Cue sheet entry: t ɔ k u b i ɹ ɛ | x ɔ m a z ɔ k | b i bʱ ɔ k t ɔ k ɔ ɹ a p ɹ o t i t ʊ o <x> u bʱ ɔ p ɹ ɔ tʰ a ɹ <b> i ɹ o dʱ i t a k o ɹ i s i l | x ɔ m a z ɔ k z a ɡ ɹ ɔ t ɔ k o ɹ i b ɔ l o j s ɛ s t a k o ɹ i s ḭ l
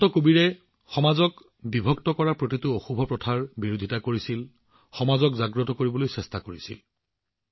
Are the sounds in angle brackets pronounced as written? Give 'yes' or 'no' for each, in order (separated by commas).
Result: yes, yes